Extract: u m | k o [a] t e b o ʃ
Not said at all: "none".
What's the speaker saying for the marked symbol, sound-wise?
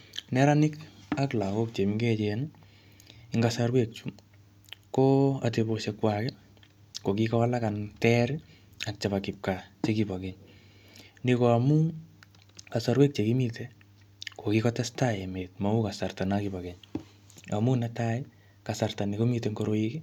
a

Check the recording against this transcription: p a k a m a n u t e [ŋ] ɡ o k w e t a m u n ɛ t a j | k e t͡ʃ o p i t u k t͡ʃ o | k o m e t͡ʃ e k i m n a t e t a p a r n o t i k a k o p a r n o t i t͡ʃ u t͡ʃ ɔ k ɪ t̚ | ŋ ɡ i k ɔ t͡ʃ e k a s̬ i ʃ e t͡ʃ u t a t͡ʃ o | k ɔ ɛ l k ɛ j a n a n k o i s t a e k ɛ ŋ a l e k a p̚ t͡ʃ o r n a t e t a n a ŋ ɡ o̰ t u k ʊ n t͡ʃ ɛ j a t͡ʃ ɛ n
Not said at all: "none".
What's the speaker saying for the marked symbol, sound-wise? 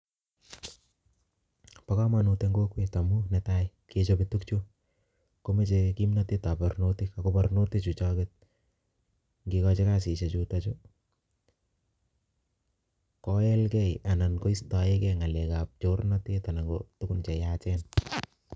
ŋ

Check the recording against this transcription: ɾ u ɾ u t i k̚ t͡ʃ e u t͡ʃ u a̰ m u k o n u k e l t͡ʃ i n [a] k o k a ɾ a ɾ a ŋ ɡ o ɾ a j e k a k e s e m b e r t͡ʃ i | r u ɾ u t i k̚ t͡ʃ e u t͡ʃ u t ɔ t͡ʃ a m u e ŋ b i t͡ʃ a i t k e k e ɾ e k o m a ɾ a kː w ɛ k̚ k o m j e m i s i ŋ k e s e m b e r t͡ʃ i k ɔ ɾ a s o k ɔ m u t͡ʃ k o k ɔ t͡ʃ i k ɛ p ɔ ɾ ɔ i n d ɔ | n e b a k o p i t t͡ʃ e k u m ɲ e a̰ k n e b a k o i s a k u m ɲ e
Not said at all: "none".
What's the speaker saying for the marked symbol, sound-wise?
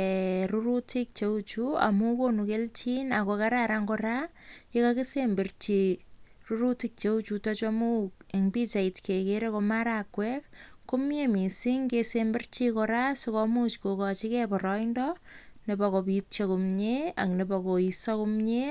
a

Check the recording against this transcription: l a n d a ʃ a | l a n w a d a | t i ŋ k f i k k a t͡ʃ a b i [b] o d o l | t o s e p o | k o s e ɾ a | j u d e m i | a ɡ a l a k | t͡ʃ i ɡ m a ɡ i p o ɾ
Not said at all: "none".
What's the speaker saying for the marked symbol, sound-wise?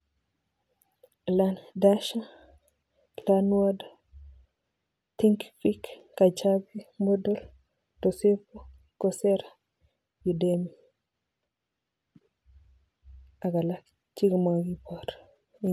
m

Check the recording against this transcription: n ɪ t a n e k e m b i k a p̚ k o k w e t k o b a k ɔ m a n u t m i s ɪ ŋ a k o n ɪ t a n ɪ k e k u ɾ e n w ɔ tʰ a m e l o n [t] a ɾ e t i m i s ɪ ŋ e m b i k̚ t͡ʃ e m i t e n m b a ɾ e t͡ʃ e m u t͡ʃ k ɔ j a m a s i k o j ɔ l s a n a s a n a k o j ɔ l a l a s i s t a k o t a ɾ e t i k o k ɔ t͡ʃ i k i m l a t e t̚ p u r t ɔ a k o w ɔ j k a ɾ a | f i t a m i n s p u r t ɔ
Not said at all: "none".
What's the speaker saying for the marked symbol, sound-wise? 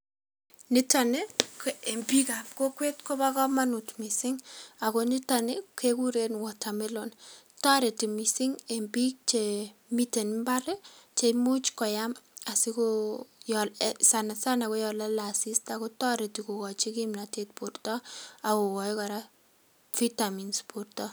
t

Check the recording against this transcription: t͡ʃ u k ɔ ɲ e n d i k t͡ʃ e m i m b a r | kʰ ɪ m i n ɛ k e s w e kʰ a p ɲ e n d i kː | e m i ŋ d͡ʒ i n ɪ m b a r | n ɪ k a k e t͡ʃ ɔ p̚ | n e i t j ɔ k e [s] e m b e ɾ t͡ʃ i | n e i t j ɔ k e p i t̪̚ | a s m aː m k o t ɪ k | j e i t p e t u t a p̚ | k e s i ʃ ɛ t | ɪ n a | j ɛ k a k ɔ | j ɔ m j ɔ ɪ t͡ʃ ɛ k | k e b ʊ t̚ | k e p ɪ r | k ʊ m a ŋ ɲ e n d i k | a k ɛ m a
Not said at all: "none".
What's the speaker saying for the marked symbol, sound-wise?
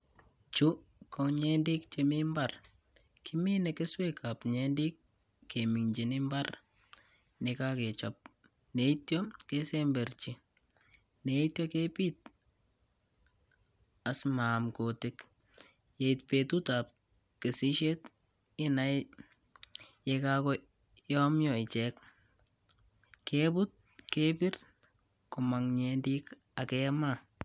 s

